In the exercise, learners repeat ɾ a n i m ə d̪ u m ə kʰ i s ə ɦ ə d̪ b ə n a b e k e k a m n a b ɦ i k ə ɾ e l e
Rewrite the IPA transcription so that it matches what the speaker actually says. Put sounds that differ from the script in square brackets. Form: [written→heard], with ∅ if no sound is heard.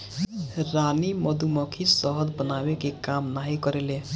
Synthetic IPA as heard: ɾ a n i m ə d̪ u m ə kʰ i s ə ɦ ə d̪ b ə n a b e k e k a m n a [b→∅] ɦ i k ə ɾ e l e